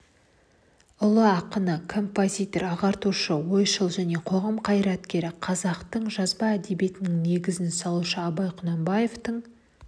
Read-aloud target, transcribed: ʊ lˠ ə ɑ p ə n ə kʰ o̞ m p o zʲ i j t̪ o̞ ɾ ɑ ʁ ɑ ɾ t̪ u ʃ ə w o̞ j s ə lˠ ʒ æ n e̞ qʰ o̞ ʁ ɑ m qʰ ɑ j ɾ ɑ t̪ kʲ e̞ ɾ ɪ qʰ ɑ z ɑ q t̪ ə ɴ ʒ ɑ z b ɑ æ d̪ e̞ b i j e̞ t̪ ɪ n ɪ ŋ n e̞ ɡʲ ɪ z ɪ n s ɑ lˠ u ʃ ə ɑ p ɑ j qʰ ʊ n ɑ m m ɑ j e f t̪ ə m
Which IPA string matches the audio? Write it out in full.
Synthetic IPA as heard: ʊ lˠ ə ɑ q ə n ə kʰ o̞ m p o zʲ i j t̪ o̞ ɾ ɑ ʁ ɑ ɾ t̪ u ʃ ə w o̞ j ʃ ə lˠ ʒ æ n e̞ qʰ o̞ ʁ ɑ m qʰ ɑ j ɾ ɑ t̪ kʲ e̞ ɾ ɪ qʰ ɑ z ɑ q t̪ ə ɴ ʒ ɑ z b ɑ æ d̪ e̞ b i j e̞ t̪ ɪ n ɪ ŋ n e̞ ɡʲ ɪ z ɪ n s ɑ lˠ u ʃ ə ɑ b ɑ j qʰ ʊ n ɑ m b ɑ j e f t̪ ə ɴ